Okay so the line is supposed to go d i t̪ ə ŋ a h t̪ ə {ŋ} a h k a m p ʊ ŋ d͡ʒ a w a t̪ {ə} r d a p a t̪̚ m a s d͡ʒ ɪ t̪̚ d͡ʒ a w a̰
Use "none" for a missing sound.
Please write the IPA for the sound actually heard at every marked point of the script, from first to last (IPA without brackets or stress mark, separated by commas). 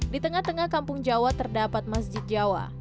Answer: ŋ, ə